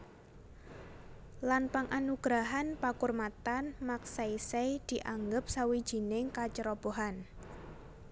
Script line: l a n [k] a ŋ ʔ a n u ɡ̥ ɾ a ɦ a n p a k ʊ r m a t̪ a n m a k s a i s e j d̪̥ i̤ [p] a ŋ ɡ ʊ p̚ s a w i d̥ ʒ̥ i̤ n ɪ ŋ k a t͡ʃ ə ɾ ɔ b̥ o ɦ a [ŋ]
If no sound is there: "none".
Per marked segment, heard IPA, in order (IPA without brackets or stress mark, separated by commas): p, ʔ, n